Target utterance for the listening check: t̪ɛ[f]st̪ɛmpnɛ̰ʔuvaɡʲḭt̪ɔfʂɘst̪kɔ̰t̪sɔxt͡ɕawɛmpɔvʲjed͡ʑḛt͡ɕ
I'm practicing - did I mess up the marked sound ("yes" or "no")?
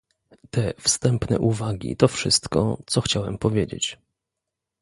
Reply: no